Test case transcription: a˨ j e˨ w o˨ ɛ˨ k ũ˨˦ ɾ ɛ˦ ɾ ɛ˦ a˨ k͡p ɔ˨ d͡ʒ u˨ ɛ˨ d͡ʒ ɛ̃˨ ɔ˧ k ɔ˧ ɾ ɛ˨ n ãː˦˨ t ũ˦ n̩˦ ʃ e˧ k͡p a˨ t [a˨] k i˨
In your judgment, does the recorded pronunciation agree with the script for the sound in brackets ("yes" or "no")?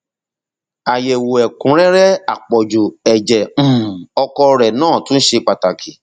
yes